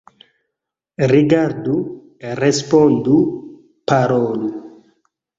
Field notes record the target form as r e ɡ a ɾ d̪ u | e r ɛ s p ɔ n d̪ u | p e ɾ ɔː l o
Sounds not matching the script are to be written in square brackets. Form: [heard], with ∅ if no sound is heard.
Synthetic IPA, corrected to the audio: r [i] ɡ a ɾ d̪ u | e r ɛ s p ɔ n d̪ u | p [a] ɾ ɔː l [u]